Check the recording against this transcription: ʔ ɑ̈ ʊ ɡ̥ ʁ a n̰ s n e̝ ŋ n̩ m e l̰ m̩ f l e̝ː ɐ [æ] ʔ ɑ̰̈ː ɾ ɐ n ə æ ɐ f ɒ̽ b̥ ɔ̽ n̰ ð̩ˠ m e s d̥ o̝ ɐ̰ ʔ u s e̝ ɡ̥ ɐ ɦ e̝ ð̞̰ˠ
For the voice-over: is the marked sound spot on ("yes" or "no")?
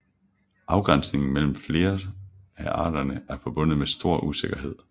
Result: yes